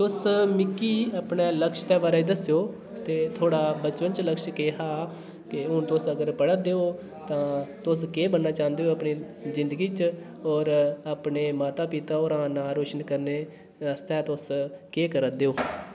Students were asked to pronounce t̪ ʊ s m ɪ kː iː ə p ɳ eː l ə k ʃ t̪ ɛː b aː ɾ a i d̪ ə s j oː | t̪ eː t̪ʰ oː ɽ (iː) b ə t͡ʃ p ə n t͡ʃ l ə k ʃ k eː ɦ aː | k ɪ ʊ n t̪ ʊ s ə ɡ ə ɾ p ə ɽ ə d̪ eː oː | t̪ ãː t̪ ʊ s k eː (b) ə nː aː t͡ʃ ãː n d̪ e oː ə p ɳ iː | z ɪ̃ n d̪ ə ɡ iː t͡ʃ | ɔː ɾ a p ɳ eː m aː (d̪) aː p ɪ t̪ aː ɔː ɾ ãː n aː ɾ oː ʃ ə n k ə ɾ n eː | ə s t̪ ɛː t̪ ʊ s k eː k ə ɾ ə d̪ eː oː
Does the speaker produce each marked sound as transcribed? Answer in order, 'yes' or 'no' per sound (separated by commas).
no, yes, no